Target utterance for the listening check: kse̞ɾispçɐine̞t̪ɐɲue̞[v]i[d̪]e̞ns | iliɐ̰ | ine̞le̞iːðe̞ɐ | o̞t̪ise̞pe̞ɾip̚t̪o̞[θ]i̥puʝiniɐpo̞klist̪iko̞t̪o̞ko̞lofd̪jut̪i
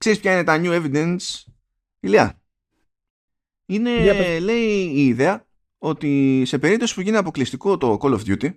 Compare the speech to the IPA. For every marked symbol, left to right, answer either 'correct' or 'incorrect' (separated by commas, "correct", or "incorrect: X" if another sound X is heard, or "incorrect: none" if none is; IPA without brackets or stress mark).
correct, correct, incorrect: s